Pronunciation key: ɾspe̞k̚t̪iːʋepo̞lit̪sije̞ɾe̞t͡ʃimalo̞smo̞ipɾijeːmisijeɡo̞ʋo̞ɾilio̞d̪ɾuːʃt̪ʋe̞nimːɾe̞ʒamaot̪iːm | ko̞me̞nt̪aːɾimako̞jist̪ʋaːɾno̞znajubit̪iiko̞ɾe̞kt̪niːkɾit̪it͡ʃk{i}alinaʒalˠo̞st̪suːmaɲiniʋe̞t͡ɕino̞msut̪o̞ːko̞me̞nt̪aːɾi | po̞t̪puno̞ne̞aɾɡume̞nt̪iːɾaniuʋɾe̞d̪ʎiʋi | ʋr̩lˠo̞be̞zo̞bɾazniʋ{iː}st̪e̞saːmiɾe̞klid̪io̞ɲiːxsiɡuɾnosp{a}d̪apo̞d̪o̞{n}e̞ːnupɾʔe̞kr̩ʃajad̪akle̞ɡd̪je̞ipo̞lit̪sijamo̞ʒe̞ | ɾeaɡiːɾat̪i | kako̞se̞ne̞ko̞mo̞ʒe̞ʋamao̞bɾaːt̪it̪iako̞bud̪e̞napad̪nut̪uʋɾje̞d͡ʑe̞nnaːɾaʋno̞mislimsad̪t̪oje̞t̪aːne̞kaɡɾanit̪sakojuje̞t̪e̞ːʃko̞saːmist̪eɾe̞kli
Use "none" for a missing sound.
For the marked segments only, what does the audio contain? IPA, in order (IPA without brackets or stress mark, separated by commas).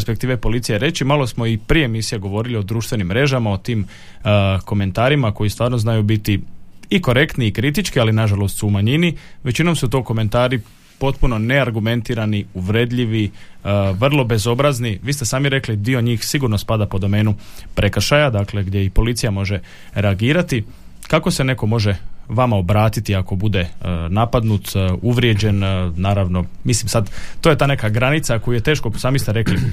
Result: i, iː, a, m